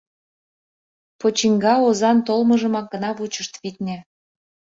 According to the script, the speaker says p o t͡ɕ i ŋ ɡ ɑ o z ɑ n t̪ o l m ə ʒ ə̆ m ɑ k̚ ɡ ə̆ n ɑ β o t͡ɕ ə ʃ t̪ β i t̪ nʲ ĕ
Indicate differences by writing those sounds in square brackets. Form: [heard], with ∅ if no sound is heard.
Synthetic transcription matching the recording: p o t͡ɕ i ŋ ɡ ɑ o z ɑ n t̪ o l m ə ʒ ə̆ m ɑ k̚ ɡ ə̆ n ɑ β [u] t͡ɕ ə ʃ t̪ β i t̪ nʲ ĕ

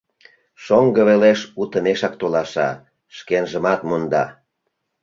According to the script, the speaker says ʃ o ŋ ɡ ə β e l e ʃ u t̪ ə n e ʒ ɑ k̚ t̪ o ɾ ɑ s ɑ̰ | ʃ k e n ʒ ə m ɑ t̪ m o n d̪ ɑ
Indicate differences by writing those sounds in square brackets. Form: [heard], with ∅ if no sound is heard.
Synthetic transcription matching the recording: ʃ o ŋ ɡ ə β e l e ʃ u t̪ ə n e [ʃ] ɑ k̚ t̪ o [l] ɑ [ʃ] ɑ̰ | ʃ k e n ʒ ə m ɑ t̪ m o n d̪ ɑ

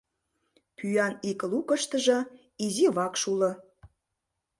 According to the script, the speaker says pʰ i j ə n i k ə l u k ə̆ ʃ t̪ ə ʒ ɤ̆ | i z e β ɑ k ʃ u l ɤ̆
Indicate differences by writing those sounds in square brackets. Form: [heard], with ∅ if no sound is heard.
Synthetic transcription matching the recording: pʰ [y] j [ɑ] n i k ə l u k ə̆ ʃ t̪ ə ʒ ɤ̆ | i z [i] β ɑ k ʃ u l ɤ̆

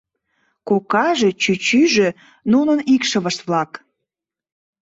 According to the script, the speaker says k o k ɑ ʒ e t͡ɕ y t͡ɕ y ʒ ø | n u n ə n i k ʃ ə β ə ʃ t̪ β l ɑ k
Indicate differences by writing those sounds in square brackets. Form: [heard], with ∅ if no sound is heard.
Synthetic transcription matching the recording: k o k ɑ ʒ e t͡ɕ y t͡ɕ y ʒ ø | n u n ə n i k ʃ ə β ə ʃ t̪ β l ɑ k

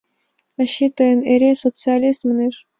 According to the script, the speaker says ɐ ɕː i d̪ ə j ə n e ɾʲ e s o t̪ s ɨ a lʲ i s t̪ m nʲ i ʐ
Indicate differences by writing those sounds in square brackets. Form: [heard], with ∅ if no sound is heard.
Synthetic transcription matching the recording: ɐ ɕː i [t̪] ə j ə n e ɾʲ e s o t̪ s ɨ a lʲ i s t̪ m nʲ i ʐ

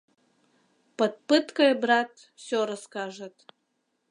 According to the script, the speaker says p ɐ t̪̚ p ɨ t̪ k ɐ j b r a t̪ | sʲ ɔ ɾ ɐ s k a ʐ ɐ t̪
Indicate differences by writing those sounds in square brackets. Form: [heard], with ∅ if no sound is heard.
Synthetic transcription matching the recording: p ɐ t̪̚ p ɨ t̪ k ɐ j b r a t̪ | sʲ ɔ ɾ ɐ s k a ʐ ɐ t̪

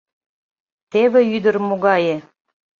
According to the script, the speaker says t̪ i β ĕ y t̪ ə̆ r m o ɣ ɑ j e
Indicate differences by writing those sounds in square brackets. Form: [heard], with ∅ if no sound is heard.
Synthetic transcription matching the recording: t̪ [e] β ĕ y [d̪] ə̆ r m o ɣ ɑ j e

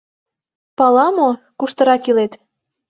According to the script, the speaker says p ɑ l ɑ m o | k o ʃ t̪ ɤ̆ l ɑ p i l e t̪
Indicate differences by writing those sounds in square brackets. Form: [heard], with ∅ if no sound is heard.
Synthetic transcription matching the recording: p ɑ l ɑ m o | k [u] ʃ t̪ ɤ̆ [ɾ] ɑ [k] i l e t̪

